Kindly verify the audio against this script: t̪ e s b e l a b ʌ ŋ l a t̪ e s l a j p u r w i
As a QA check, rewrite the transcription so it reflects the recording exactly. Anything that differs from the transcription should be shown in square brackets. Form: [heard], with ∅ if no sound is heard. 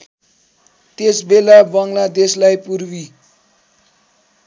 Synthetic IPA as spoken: t̪ e s b e l a b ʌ ŋ l a [d̪] e s l a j p u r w i